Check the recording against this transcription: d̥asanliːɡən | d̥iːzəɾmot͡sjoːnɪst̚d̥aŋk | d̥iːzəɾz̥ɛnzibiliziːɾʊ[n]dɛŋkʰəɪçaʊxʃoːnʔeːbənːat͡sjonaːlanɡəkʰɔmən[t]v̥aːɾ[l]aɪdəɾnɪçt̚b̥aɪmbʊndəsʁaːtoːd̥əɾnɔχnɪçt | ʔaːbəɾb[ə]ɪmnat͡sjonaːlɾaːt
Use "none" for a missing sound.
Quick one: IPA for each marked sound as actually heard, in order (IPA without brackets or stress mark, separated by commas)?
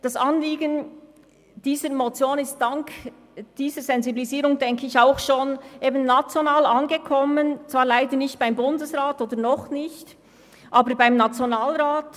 ŋ, t͡s, l, a